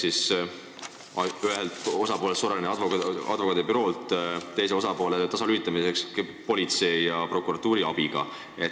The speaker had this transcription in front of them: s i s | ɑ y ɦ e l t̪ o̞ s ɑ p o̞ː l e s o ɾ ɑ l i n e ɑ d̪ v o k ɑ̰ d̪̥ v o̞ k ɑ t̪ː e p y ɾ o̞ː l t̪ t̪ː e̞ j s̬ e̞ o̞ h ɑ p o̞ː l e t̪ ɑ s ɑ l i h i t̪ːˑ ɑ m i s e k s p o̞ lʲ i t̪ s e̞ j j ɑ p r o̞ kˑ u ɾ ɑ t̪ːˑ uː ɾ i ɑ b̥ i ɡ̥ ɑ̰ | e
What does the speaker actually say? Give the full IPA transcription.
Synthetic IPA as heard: s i s | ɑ y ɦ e l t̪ o̞ s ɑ p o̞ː l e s o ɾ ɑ l i n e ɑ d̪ v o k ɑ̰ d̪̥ v o̞ k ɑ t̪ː e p y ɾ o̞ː l t̪ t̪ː e̞ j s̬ e̞ o̞ s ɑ p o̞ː l e t̪ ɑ s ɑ l y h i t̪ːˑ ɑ m i s e k s p o̞ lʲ i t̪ s e̞ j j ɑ p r o̞ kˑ u ɾ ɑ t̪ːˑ uː ɾ i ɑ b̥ i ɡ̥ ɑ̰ | e